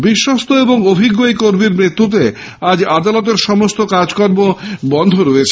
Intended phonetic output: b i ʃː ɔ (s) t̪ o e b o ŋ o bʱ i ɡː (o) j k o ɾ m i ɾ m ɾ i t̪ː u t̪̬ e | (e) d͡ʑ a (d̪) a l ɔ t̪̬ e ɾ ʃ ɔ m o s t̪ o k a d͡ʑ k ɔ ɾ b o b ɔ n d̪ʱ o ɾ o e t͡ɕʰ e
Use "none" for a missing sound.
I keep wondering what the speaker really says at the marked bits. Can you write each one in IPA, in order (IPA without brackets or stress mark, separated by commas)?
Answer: s, o, a, d̪